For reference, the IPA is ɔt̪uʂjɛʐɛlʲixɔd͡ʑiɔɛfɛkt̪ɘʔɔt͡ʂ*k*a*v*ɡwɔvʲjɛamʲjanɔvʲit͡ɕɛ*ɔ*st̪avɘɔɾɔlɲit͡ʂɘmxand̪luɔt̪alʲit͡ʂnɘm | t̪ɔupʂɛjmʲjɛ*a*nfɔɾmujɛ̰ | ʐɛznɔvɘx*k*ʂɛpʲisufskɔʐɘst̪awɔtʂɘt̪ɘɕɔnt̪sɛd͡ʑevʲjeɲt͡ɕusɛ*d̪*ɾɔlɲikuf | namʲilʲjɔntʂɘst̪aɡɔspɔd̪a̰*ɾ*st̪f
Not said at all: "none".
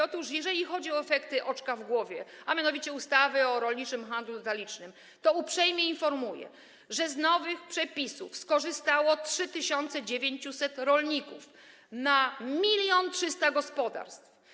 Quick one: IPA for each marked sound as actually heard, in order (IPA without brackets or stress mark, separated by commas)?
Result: k, v, u, i, p, t̪, ɾ